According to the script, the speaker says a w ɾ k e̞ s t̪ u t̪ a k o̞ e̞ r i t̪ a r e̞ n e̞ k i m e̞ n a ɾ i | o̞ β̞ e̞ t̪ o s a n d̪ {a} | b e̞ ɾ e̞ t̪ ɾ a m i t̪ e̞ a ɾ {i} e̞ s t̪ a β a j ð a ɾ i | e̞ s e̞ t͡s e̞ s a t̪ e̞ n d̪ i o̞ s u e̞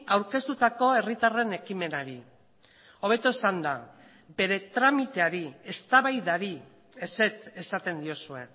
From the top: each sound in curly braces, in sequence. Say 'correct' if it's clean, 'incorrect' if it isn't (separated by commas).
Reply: correct, correct